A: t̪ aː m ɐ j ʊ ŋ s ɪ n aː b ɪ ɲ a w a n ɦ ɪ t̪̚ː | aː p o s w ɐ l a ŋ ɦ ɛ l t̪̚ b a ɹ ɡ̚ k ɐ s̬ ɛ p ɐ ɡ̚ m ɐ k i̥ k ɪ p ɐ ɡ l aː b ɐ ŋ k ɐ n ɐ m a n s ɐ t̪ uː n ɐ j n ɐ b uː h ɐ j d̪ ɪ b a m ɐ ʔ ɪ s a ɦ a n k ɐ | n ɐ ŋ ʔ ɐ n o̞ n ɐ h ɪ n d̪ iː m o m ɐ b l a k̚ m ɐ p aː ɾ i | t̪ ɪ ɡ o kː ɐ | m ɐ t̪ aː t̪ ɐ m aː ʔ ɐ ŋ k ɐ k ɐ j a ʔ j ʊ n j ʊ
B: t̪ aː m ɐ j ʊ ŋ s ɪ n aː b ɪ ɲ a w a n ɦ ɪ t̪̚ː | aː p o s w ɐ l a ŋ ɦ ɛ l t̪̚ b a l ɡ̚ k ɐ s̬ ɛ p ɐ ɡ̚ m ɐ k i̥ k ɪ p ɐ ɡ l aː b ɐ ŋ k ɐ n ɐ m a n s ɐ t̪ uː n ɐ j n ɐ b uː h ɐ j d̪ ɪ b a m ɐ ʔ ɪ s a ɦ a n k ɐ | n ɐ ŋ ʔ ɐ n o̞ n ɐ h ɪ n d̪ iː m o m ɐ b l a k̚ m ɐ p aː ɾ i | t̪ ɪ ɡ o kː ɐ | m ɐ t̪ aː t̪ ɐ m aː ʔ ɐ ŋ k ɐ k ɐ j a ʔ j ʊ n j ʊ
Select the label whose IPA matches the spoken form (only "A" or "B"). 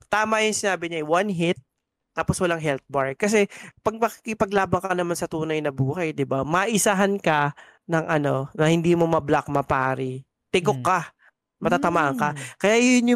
A